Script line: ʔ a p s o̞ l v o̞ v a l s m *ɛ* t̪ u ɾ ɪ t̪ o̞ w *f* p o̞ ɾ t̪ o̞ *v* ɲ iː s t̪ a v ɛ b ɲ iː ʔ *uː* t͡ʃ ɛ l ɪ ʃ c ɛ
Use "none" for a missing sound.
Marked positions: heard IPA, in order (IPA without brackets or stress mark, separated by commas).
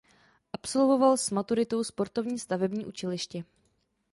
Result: a, s, v, u